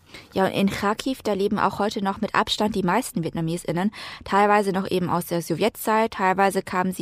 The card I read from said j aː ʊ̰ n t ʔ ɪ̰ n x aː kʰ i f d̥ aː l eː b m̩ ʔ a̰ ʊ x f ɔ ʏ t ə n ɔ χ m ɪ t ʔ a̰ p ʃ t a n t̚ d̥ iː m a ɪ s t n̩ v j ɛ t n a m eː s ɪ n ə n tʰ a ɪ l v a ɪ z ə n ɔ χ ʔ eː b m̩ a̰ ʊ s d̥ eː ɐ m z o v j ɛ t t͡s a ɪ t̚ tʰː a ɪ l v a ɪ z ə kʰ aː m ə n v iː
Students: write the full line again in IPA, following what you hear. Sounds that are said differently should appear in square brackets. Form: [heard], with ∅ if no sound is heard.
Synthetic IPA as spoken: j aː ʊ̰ n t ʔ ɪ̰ n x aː kʰ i f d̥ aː l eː b m̩ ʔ a̰ ʊ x [h] ɔ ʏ t ə n ɔ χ m ɪ t ʔ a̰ p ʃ t a n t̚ d̥ iː m a ɪ s t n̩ v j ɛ t n a m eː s ɪ n ə n tʰ a ɪ l v a ɪ z ə n ɔ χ ʔ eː b m̩ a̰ ʊ s d̥ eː ɐ [∅] z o v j ɛ t t͡s a ɪ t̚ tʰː a ɪ l v a ɪ z ə kʰ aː m ə n [z] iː